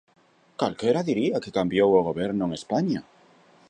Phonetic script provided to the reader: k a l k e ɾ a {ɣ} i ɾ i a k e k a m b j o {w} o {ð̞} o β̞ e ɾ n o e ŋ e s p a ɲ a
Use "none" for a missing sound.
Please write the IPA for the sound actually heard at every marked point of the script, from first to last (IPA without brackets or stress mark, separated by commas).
ð, w, ɣ̞